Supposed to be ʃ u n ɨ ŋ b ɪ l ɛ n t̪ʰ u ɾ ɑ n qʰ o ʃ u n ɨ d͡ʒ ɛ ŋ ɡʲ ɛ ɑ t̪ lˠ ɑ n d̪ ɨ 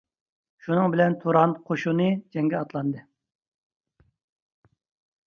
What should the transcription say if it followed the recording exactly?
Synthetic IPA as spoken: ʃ u n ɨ ŋ b ɪ l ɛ n t̪ʰ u ɾ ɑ n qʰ o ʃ u n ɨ d͡ʒ ɛ ŋ ɡʲ ɛ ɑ t̪ lˠ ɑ n d̪ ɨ